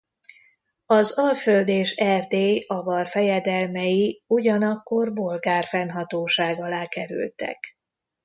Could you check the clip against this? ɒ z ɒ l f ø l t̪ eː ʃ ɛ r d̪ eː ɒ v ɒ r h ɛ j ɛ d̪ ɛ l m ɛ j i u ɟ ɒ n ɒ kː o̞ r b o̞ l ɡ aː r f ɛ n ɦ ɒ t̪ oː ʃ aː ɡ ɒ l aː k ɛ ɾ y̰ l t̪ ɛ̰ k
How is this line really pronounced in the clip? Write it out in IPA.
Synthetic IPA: ɒ z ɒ l f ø l d̪ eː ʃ ɛ r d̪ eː ɒ v ɒ r f ɛ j ɛ d̪ ɛ l m ɛ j i u ɟ ɒ n ɒ kː o̞ r b o̞ l ɡ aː r f ɛ n ɦ ɒ t̪ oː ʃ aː ɡ ɒ l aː k ɛ ɾ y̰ l t̪ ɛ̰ k